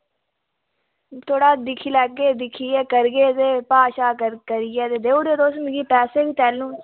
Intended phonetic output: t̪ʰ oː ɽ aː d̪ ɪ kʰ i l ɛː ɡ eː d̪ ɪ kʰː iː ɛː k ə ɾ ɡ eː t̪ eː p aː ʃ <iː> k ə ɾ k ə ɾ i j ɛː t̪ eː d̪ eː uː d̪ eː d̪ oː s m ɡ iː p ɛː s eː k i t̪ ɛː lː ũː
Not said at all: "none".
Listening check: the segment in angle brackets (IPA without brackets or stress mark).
aː